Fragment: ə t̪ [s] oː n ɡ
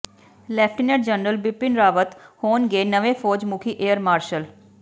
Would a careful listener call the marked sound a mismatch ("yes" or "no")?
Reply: yes